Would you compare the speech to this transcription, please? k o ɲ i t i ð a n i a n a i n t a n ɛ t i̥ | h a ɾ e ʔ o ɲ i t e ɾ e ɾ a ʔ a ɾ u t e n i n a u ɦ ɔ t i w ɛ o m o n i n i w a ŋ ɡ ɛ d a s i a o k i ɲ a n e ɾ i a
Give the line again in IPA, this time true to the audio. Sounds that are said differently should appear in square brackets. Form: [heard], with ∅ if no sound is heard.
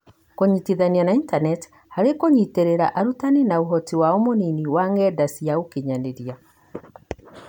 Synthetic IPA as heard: k o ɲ i t i ð a n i a n a i n t a n ɛ t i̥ | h a ɾ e [k] o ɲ i t e ɾ e ɾ a ʔ a ɾ u t [a] n i n a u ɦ ɔ t i w [a] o m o n i n i w a ŋ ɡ ɛ d a s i a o k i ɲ a n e ɾ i a